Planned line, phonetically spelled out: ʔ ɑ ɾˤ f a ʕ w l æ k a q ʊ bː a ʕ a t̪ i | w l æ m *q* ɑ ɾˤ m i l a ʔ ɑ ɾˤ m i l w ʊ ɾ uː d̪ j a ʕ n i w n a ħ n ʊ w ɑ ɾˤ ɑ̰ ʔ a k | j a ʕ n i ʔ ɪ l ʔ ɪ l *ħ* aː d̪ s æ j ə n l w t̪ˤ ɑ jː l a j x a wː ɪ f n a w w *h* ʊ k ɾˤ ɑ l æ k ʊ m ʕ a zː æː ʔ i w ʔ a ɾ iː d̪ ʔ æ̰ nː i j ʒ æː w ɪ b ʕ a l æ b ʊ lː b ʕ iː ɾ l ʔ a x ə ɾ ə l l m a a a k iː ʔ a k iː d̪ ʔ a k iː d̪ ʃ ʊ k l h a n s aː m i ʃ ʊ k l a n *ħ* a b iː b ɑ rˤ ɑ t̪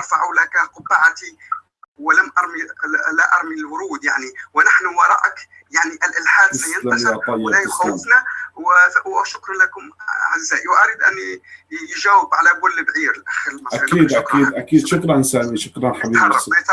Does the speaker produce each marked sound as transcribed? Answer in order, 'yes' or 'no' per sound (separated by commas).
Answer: no, yes, no, yes